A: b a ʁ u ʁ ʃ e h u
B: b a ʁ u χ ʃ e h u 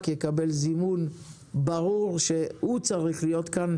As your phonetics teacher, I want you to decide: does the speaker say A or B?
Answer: A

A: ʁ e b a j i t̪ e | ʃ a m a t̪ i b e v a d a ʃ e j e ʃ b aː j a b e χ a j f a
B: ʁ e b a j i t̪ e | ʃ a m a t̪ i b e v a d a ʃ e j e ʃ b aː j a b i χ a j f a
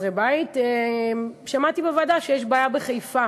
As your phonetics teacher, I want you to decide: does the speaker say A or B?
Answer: A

